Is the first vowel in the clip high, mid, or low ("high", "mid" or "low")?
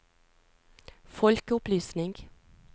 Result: mid